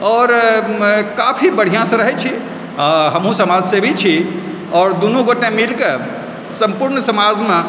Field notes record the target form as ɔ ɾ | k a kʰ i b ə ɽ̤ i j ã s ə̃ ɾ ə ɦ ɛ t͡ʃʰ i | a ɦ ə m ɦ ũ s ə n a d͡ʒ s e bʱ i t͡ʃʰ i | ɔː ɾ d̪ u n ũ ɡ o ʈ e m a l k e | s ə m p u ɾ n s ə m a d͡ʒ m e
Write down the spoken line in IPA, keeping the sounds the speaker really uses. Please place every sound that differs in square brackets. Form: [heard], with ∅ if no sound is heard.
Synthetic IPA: ɔ ɾ | k a [pʰ] i b ə ɽ̤ i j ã s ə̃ ɾ ə ɦ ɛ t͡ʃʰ i | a ɦ ə m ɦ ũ s ə [m] a d͡ʒ s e bʱ i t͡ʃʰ i | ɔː ɾ d̪ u n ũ ɡ o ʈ e m [i] l k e | s ə m p u ɾ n s ə m a d͡ʒ m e